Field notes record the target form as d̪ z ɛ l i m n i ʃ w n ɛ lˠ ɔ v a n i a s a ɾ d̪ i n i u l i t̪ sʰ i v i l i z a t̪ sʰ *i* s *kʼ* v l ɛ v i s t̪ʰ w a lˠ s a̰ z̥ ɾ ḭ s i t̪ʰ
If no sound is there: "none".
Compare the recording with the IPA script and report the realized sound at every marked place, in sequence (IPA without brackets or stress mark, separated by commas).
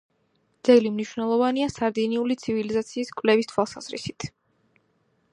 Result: iː, kʼ